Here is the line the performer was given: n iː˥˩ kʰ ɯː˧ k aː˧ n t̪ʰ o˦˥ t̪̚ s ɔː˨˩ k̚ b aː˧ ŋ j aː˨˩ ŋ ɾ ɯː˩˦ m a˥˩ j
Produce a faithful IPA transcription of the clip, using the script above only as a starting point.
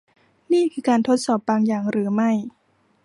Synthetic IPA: n iː˥˩ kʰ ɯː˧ k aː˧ n t̪ʰ o˦˥ t̪̚ s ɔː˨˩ p̚ b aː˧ ŋ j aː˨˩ ŋ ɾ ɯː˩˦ m a˥˩ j